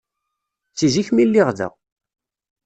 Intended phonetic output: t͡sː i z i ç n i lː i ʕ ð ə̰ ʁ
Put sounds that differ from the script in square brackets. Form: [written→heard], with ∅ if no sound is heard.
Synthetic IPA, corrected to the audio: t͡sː i z i ç [n→m] i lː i [ʕ→ʁ] ð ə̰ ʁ